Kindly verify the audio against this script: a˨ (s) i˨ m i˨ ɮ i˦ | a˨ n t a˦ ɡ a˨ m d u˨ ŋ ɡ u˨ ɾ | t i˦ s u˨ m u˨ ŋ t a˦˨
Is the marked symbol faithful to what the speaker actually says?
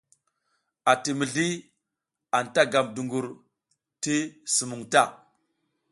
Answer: no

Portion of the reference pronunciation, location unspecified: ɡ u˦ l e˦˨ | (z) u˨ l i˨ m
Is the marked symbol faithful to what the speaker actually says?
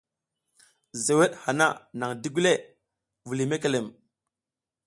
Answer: no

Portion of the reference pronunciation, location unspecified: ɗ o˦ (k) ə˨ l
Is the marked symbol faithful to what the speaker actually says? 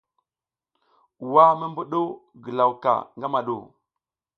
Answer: no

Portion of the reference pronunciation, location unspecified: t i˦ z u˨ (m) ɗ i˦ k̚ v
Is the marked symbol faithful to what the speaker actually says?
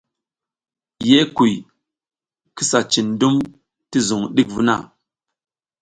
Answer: no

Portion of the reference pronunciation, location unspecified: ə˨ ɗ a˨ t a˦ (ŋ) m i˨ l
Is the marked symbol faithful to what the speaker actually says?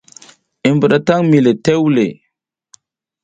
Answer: yes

